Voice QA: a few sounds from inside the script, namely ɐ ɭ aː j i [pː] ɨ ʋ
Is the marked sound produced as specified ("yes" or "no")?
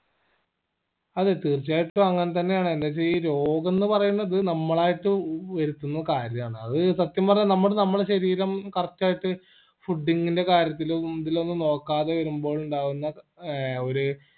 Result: no